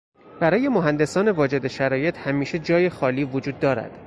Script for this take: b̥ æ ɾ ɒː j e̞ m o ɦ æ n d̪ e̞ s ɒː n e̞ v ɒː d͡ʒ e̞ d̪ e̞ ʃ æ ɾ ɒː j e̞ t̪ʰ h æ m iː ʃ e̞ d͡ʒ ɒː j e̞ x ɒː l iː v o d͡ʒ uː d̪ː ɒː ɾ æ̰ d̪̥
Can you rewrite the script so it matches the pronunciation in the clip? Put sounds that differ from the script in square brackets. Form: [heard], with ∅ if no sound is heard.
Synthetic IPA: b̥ æ ɾ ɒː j e̞ m o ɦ æ n d̪ e̞ s ɒː n e̞ v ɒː d͡ʒ e̞ d̪ e̞ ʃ æ ɾ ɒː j e̞ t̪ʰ h æ m iː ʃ e̞ d͡ʒ ɒː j e̞ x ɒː l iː v o d͡ʒ uː d̪ː ɒː ɾ æ̰ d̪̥